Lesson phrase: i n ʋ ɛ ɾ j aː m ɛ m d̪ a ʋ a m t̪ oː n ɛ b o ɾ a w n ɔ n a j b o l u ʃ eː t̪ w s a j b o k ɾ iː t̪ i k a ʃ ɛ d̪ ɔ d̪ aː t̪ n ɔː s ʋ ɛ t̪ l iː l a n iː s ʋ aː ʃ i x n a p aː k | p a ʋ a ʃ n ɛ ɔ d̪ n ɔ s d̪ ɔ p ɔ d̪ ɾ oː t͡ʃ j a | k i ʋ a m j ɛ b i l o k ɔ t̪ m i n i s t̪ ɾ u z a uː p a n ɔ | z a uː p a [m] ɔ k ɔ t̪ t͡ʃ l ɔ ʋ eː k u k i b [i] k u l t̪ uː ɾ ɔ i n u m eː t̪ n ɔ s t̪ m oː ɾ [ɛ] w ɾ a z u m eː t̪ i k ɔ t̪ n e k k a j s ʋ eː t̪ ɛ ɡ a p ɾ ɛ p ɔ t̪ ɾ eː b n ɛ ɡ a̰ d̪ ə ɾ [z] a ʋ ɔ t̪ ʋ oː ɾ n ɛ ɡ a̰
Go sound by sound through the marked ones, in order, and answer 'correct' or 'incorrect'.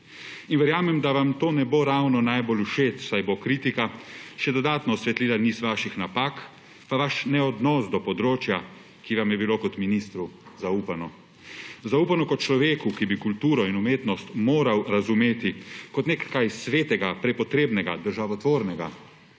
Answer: incorrect, correct, incorrect, incorrect

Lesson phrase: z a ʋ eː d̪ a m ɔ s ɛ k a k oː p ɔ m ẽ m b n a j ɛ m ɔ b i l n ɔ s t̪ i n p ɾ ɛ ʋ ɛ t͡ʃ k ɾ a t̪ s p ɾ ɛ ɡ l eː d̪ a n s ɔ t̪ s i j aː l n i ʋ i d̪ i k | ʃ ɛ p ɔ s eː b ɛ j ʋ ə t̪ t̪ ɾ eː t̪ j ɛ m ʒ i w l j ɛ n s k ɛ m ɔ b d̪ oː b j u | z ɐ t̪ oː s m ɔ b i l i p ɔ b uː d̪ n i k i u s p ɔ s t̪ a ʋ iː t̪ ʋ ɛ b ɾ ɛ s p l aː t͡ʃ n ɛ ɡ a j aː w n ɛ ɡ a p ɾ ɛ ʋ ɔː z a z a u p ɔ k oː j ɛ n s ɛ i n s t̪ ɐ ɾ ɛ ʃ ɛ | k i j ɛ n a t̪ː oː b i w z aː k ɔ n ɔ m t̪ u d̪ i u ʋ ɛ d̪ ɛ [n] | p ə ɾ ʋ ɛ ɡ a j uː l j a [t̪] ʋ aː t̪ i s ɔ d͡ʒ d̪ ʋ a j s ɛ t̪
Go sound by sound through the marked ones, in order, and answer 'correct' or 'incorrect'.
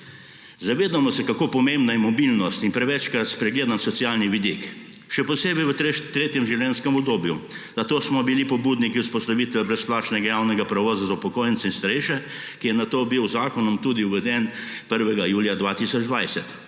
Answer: correct, incorrect

